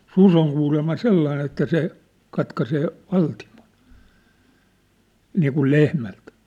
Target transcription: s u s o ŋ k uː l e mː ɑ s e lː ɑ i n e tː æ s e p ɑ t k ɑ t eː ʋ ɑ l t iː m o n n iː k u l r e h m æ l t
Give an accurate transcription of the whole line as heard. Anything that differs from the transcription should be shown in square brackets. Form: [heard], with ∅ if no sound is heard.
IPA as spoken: s u s o ŋ k uː l e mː ɑ s e lː ɑ i n e tː æ s e [k] ɑ t k ɑ [s] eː ʋ ɑ l t [i] m o n n iː k u l [l] e h m æ l t